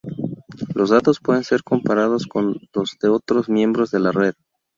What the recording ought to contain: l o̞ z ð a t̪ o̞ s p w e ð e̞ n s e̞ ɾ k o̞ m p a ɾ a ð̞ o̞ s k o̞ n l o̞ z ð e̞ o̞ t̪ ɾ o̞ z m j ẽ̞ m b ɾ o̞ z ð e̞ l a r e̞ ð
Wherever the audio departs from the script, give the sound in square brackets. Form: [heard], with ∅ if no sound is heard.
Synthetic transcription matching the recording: l o̞ z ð a t̪ o̞ s p w e ð e̞ n s e̞ ɾ k o̞ m p a ɾ a ð̞ o̞ s k o̞ n l o̞ z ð e̞ o̞ t̪ ɾ o̞ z m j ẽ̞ m b ɾ o̞ z ð e̞ l a r e̞ ð